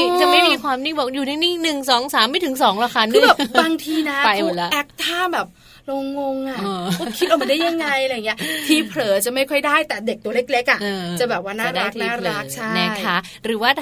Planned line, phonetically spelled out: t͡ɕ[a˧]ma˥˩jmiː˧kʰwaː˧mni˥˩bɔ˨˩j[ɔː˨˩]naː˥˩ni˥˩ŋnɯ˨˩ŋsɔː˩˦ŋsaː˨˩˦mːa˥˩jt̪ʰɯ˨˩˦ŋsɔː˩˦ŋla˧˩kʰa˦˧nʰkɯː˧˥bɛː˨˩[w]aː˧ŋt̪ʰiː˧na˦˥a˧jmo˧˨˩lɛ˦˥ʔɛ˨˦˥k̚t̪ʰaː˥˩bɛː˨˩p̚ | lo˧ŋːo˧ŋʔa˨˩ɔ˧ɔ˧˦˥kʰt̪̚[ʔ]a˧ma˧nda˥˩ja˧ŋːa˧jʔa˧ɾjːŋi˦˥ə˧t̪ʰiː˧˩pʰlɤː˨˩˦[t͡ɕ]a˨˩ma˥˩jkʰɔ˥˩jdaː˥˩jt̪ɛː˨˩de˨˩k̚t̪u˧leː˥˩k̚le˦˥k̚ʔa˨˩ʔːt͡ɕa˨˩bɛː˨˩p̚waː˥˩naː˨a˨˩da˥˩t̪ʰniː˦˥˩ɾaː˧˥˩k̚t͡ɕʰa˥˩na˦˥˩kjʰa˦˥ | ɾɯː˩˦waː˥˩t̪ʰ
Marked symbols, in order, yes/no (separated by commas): no, no, no, yes, yes